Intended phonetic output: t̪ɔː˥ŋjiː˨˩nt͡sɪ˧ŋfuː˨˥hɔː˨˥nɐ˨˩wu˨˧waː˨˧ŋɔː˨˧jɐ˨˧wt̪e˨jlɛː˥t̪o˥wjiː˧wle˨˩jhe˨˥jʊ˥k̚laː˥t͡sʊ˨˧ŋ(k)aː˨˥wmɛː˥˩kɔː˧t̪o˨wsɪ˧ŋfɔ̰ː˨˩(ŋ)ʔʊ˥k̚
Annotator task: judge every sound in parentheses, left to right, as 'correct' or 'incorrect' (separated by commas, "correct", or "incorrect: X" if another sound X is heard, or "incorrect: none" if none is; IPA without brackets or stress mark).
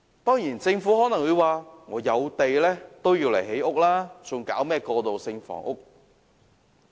correct, correct